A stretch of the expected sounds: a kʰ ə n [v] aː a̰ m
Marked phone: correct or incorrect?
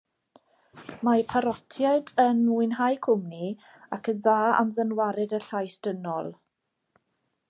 incorrect